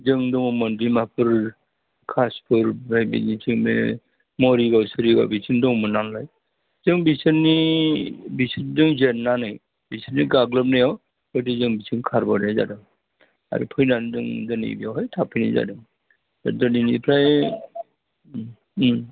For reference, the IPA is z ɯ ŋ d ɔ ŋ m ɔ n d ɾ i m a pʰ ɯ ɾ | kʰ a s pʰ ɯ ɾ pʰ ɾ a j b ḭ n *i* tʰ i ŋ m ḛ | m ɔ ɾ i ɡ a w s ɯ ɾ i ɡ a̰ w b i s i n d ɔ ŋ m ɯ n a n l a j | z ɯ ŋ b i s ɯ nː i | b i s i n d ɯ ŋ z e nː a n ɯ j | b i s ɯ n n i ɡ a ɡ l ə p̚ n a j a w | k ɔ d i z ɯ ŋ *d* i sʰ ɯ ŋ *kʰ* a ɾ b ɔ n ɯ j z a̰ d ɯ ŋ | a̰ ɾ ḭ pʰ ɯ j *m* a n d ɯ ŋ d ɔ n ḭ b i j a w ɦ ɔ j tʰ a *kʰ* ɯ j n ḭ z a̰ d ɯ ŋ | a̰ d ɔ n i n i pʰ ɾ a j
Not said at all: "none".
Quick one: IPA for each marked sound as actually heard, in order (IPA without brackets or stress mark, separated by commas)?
i, b, kʰ, n, pʰ